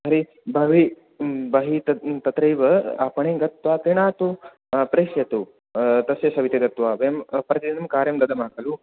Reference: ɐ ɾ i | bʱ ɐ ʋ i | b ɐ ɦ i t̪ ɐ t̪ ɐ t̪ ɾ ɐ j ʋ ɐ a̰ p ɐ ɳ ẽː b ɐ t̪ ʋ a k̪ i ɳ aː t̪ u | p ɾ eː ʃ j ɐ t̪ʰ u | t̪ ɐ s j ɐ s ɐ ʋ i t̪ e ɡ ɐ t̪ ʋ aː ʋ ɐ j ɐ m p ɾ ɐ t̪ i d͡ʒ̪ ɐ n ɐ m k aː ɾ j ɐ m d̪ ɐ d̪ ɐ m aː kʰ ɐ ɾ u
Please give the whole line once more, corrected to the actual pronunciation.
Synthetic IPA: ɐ ɾ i | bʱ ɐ ʋ i | b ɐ ɦ i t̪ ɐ t̪ ɐ t̪ ɾ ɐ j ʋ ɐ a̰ p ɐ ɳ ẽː ɡ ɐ t̪ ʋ a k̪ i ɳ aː t̪ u | p ɾ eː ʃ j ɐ t̪ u | t̪ ɐ s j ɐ s ɐ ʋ i t̪ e ɡ ɐ t̪ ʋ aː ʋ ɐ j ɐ m p ɾ ɐ t̪ i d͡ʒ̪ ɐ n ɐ m k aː ɾ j ɐ m d̪ ɐ d̪ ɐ m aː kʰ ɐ l u

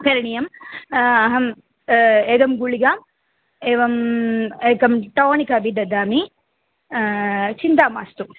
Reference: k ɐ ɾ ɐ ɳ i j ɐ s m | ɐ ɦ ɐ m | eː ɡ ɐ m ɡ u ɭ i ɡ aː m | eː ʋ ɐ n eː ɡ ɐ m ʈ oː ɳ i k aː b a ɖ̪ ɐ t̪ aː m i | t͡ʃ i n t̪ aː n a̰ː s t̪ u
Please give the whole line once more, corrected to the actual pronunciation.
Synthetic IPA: k ɐ ɾ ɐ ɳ i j ɐ m | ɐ ɦ ɐ m | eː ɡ ɐ m ɡ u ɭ i ɡ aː m | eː ʋ ɐ m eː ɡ ɐ m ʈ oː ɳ i k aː b i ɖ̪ ɐ d̪ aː m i | t͡ʃ i n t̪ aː m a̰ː s t̪ u

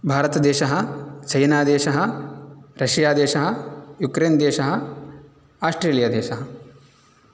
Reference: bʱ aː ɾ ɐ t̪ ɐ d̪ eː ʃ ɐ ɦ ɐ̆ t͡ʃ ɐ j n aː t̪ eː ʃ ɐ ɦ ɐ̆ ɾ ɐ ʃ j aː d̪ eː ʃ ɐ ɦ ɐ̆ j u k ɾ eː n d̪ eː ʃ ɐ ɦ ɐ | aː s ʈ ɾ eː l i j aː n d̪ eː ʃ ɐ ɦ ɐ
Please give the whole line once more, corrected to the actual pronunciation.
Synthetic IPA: bʱ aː ɾ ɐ t̪ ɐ d̪ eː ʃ ɐ ɦ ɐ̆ t͡ʃ ɐ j n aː d̪ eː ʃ ɐ ɦ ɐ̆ ɾ ɐ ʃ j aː d̪ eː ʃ ɐ ɦ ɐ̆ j u k ɾ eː n d̪ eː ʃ ɐ ɦ ɐ | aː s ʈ ɾ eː l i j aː d̪ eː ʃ ɐ ɦ ɐ

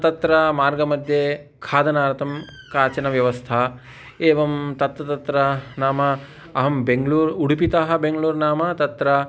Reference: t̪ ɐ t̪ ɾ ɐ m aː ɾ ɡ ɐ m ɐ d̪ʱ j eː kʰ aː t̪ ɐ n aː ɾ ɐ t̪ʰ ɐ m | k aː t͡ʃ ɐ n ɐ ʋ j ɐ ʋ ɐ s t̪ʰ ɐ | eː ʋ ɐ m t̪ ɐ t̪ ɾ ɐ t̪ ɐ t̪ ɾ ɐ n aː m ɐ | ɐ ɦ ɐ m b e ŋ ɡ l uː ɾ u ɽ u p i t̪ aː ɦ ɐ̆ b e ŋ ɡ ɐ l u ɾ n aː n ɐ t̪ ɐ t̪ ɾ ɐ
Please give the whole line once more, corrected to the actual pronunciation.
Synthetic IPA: t̪ ɐ t̪ ɾ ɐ m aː ɾ ɡ ɐ m ɐ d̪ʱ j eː kʰ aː d̪ ɐ n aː ɾ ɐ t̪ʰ ɐ m | k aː t͡ʃ ɐ n ɐ ʋ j ɐ ʋ ɐ s t̪ʰ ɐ | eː ʋ ɐ m t̪ ɐ t̪ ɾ ɐ t̪ ɐ t̪ ɾ ɐ n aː m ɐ | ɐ ɦ ɐ m b e ŋ ɡ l uː ɾ u ɽ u p i t̪ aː ɦ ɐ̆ b e ŋ ɡ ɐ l uː ɾ n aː m ɐ t̪ ɐ t̪ ɾ ɐ

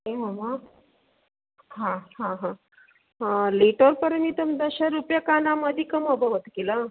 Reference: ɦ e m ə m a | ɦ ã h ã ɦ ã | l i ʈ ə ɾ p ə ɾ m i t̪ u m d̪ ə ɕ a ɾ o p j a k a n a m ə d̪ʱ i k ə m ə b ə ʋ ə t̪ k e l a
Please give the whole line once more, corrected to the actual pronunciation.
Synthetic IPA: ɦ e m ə m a | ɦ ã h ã ɦ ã | l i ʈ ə ɾ p ə ɾ m i t̪ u m d̪ ə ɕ a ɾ u p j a k a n a m ə d̪ʱ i k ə m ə b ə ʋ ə t̪ k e l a

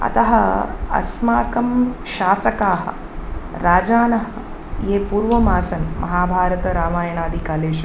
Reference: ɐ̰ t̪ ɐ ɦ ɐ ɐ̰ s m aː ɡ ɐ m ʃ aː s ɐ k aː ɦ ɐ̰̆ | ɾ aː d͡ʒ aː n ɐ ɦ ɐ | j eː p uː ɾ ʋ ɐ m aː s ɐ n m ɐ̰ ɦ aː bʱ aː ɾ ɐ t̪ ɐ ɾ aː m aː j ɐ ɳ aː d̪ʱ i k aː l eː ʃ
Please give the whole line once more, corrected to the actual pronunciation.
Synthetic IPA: ɐ̰ t̪ ɐ ɦ ɐ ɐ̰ s m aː k ɐ m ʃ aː s ɐ k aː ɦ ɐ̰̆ | ɾ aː d͡ʒ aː n ɐ ɦ ɐ | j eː p uː ɾ ʋ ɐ m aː s ɐ n m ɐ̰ ɦ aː bʱ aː ɾ ɐ t̪ ɐ ɾ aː m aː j ɐ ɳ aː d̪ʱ i k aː l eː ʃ

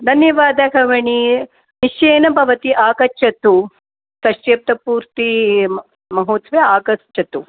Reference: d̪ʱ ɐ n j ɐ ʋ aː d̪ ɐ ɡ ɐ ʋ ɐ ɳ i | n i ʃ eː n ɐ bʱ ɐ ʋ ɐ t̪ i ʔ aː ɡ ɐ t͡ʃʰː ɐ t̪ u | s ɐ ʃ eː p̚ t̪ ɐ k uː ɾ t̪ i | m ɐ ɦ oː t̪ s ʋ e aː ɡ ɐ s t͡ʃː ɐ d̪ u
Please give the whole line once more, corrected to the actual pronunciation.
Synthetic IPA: d̪ʱ ɐ n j ɐ ʋ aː d̪ ɐ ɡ ɐ ʋ ɐ ɳ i | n i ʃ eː n ɐ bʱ ɐ ʋ ɐ t̪ i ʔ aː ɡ ɐ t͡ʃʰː ɐ t̪ u | s ɐ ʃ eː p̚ t̪ ɐ p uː ɾ t̪ i | m ɐ ɦ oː t̪ s ʋ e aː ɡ ɐ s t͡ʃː ɐ t̪ u

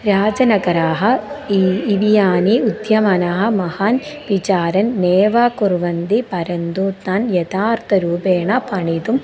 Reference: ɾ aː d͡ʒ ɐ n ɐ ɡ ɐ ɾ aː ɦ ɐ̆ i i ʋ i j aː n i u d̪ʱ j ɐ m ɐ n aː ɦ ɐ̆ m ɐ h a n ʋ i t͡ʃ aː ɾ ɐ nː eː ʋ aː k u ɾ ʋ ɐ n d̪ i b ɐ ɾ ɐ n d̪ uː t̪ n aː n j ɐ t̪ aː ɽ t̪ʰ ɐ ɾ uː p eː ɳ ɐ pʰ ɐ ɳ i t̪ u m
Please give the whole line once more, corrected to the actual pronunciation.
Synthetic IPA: ɾ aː d͡ʒ ɐ n ɐ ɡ ɐ ɾ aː ɦ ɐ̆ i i ʋ i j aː n i u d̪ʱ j ɐ m ɐ n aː ɦ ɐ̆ m ɐ h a n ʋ i t͡ʃ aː ɾ ɐ nː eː ʋ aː k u ɾ ʋ ɐ n d̪ i p ɐ ɾ ɐ n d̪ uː t̪ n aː n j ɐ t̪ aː ɾ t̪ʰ ɐ ɾ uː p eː ɳ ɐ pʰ ɐ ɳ i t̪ u m

